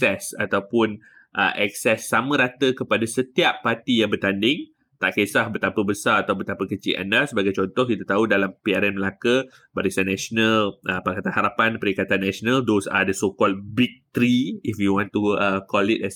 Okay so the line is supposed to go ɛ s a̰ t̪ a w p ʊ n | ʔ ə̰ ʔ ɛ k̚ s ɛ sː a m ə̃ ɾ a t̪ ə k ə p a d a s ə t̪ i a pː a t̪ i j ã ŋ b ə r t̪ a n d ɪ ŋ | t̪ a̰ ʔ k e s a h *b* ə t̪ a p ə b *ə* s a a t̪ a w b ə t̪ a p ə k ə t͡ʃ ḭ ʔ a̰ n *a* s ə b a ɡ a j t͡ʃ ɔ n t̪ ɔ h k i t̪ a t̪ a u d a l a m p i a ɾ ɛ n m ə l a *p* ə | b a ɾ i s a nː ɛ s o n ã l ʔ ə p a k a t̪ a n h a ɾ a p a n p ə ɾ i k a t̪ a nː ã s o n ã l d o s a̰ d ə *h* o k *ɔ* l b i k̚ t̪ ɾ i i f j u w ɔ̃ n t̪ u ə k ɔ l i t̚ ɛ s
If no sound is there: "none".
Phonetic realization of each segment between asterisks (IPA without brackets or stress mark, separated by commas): b, ə, a, k, s, ɔ